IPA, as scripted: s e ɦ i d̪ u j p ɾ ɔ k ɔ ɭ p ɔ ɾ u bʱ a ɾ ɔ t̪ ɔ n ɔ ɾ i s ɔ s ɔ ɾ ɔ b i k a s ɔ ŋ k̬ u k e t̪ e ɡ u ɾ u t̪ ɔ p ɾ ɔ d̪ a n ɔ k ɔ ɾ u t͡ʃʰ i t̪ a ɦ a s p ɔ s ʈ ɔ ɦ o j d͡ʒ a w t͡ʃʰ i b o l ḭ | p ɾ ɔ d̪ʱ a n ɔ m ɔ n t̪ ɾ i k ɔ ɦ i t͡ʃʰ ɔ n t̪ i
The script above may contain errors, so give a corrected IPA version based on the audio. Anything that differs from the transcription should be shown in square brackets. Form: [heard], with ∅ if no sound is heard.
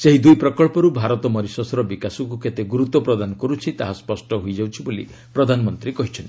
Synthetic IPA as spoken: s e ɦ i d̪ u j p ɾ ɔ k ɔ ɭ p ɔ ɾ u bʱ a ɾ ɔ t̪ ɔ [m] ɔ ɾ i s ɔ s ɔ ɾ ɔ b i k a s ɔ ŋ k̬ u k e t̪ e ɡ u ɾ u t̪ ɔ p ɾ ɔ d̪ a n ɔ k ɔ ɾ u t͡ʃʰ i t̪ a ɦ a s p ɔ s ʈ ɔ ɦ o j d͡ʒ a w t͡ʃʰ i b o l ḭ | p ɾ ɔ d̪ʱ a n ɔ m ɔ n t̪ ɾ i k ɔ ɦ i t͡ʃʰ ɔ n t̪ i